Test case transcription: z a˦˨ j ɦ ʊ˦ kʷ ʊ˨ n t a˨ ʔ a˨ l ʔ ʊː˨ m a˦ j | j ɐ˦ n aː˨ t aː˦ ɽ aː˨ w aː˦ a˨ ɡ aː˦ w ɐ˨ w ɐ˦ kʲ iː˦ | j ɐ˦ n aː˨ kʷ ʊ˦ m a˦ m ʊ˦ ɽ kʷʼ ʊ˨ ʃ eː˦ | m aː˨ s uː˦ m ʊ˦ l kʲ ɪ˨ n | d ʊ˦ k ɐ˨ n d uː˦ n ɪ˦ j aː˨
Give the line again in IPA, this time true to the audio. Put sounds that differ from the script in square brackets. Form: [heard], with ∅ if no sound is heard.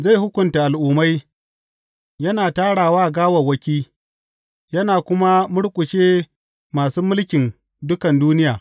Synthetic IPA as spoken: z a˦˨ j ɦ ʊ˦ kʷ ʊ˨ n t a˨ ʔ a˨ l ʔ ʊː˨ m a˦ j | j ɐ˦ n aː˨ t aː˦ ɽ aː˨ w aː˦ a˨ ɡ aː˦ w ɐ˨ w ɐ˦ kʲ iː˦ | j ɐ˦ n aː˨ kʷ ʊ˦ m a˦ m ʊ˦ ɽ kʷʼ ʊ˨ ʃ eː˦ | m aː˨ s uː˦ m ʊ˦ l kʲ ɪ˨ n | d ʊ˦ k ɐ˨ n d uː˦ n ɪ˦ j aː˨

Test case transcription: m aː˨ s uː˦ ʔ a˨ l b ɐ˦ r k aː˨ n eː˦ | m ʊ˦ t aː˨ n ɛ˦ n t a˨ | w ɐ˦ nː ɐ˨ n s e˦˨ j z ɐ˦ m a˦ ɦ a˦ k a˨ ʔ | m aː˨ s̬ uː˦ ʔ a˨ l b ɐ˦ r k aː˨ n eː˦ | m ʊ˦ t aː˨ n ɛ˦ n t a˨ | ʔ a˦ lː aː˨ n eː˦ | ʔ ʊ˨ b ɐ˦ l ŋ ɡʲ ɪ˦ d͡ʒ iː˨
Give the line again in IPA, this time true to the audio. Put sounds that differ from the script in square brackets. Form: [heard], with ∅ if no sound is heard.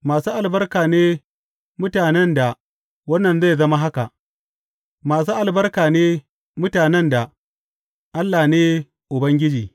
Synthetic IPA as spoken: m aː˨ s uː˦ ʔ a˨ l b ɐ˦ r k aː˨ n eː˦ | m ʊ˦ t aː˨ n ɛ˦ n [d] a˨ | w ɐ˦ nː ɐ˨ n [z] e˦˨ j z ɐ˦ m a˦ ɦ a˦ k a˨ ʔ | m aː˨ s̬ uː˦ ʔ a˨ l b ɐ˦ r k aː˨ n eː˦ | m ʊ˦ t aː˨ n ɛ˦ n [d] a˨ | ʔ a˦ lː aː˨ n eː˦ | ʔ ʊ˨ b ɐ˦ [∅] ŋ ɡʲ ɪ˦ d͡ʒ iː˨

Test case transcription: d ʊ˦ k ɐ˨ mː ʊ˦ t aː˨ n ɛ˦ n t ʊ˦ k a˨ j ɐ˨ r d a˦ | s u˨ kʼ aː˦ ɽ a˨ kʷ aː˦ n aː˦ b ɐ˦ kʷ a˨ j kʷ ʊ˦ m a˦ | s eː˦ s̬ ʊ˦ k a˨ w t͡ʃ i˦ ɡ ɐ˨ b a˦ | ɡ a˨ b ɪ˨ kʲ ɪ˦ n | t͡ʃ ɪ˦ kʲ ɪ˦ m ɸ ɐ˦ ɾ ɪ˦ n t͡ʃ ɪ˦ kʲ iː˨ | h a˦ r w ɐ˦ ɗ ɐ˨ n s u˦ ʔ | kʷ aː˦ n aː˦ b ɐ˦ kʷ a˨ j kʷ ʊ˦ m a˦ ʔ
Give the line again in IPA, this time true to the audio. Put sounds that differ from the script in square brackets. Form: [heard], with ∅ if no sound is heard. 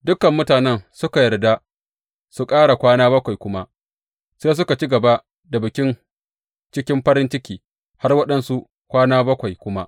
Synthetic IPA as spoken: d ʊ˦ k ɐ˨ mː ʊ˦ t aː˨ n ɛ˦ n [s] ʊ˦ k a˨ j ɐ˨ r d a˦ | s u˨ kʼ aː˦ ɽ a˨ kʷ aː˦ n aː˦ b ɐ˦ kʷ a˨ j kʷ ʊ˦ m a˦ | s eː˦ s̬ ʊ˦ k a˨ [∅] t͡ʃ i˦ ɡ ɐ˨ b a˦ | [d] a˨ b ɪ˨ kʲ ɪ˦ n | t͡ʃ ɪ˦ kʲ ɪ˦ m ɸ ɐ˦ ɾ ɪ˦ n t͡ʃ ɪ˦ kʲ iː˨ | h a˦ r w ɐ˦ ɗ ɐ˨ n s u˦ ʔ | kʷ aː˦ n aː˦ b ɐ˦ kʷ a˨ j kʷ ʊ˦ m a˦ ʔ

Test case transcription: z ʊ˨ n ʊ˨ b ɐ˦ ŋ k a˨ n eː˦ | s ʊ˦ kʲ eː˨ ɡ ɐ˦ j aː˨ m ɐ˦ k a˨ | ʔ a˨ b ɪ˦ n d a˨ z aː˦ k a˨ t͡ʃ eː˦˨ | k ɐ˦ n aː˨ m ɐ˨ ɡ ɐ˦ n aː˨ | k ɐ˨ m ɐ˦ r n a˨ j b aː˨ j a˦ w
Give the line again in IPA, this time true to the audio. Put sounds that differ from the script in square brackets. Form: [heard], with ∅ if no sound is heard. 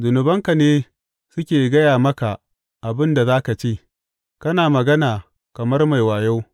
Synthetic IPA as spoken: z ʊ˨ n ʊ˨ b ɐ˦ ŋ k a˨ n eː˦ | s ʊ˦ kʲ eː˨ ɡ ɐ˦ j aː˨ m ɐ˦ k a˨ | ʔ a˨ b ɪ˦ n d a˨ z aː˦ k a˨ t͡ʃ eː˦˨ | k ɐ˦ n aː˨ m ɐ˨ ɡ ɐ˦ n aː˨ | k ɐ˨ m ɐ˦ r [m] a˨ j [w] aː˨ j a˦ w

